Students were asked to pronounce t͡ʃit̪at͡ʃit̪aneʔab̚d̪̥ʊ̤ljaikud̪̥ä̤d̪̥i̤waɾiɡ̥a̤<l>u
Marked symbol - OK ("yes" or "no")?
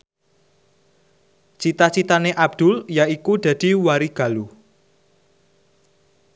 yes